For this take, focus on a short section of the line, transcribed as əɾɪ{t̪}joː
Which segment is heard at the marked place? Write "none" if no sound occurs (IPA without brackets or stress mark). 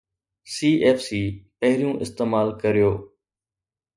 none